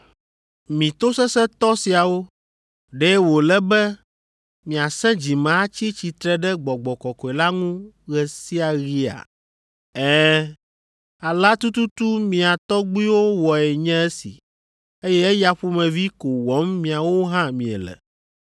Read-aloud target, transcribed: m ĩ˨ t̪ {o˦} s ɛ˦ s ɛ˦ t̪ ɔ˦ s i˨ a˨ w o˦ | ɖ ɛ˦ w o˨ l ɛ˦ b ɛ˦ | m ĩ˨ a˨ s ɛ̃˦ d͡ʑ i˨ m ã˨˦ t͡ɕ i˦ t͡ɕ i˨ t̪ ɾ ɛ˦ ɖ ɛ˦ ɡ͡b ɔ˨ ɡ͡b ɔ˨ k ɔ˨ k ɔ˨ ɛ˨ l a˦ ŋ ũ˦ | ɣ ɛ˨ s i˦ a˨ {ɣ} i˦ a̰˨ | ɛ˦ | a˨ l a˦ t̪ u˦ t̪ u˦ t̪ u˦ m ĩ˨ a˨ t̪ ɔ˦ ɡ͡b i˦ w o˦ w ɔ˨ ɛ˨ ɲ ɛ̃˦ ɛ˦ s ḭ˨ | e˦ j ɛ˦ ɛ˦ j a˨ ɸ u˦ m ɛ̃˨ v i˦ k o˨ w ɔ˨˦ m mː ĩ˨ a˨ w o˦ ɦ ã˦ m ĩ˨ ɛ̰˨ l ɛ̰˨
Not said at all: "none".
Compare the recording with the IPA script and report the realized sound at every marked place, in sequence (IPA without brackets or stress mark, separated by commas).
o˦, ɣ